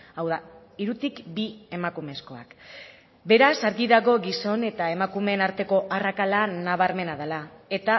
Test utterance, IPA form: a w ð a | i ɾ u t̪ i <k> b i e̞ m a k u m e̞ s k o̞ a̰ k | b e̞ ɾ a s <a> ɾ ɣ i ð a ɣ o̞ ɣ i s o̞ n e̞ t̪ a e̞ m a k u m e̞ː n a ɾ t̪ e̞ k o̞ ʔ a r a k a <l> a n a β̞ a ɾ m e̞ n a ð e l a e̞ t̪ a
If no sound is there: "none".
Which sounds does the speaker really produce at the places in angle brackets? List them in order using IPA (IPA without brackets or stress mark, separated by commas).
k, a, l